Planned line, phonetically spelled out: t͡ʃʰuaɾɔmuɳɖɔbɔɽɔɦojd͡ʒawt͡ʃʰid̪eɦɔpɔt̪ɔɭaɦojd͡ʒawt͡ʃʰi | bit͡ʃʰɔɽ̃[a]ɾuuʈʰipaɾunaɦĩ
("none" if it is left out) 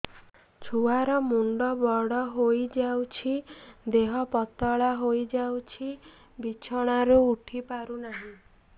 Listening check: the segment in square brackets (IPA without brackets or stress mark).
a